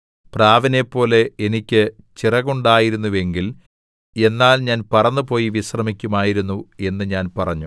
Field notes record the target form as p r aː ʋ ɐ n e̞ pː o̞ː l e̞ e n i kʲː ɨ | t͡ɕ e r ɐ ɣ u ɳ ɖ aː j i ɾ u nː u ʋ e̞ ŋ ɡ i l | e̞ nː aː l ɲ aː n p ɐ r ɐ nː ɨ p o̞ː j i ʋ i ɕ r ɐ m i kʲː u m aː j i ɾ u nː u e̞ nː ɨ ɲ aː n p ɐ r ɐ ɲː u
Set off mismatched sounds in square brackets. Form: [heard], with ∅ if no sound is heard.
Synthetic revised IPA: p r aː ʋ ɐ n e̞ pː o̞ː l e̞ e n i kʲː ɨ | t͡ɕ [i] r ɐ ɣ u ɳ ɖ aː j i ɾ u nː u ʋ e̞ ŋ ɡ i l | e̞ nː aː l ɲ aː n p ɐ r ɐ nː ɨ p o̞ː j i ʋ i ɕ r ɐ m i kʲː u m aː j i ɾ u nː u e̞ nː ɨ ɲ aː n p ɐ r ɐ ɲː u